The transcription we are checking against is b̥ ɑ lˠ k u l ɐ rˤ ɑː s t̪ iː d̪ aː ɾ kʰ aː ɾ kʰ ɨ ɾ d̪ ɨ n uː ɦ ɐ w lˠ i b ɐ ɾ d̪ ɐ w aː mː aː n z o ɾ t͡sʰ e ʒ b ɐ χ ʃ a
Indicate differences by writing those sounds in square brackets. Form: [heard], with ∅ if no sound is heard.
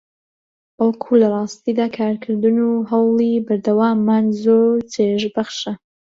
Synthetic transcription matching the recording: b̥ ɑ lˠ [kʰ] u l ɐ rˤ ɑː s t̪ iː d̪ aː [∅] kʰ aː ɾ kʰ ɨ ɾ d̪ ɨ n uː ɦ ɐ w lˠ i b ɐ ɾ d̪ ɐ w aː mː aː n z o ɾ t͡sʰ e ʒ b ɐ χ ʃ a

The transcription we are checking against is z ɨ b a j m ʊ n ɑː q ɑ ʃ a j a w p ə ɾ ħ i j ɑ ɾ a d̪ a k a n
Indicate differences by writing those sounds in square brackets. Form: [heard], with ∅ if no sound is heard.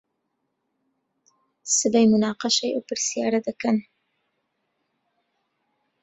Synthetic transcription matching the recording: [s] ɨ b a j m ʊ n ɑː q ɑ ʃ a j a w p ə ɾ [s] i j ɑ ɾ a d̪ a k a n

